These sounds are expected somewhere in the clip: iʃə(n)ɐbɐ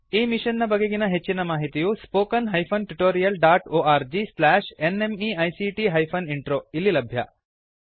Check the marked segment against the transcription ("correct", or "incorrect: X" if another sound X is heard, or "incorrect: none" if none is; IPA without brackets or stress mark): incorrect: nː